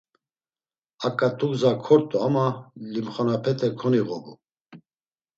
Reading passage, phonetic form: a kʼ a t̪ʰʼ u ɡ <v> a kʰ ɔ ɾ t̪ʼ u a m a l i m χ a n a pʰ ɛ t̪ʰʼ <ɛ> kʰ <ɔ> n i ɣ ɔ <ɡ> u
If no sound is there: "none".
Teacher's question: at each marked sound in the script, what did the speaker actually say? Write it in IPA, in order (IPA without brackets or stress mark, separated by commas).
z, ɛ, ɔ, b